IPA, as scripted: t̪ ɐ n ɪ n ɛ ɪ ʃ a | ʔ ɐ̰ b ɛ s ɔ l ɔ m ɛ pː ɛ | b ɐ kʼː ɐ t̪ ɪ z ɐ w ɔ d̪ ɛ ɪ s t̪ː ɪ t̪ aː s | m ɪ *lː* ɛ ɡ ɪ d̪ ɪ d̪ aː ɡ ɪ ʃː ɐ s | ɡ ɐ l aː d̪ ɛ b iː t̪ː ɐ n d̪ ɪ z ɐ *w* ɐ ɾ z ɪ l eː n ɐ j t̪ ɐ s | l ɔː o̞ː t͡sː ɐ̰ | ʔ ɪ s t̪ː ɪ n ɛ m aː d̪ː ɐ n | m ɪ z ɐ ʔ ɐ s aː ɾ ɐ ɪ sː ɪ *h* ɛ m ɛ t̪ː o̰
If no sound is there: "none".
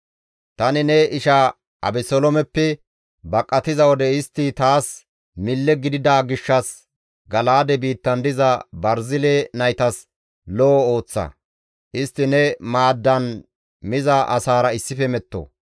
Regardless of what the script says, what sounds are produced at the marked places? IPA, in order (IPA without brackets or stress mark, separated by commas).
lː, b, f